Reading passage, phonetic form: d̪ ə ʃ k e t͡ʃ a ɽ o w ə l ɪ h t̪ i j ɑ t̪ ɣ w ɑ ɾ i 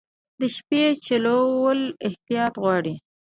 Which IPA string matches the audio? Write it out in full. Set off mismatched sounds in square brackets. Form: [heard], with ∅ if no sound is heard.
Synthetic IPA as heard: d̪ ə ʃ [p] e t͡ʃ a [l] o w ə l ɪ h t̪ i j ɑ t̪ ɣ w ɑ [ɽ] i